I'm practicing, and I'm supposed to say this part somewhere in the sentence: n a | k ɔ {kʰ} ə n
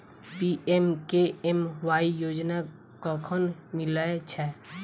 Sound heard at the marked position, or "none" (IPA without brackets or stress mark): kʰ